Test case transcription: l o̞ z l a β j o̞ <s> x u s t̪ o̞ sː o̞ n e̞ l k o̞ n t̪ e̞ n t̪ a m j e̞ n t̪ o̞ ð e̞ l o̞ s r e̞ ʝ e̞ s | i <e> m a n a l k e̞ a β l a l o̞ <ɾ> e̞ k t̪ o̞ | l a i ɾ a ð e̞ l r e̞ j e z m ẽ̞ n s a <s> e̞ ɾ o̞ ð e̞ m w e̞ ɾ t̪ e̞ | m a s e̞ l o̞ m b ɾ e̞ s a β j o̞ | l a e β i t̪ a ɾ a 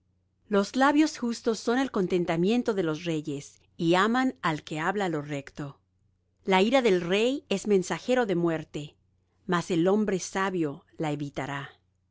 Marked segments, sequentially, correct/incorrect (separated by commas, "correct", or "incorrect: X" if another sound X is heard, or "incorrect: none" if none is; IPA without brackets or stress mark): correct, incorrect: a, incorrect: r, incorrect: x